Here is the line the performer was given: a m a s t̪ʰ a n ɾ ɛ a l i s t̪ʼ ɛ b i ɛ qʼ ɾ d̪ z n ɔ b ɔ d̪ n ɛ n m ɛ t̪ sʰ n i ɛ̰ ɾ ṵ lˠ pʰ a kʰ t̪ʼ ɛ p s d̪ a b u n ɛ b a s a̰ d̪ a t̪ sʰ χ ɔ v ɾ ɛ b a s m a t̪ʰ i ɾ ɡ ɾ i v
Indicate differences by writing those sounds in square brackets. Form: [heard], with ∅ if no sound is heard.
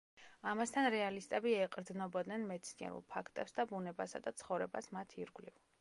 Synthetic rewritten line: a m a s t̪ʰ a n ɾ ɛ a l i s t̪ʼ ɛ b i ɛ qʼ ɾ d̪ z n ɔ b ɔ d̪ n ɛ n m ɛ t̪ sʰ n i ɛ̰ ɾ ṵ lˠ pʰ a kʰ t̪ʼ ɛ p s d̪ a b u n ɛ b a s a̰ d̪ a t̪ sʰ χ ɔ v ɾ ɛ b a s m a t̪ʰ i ɾ ɡ [l] i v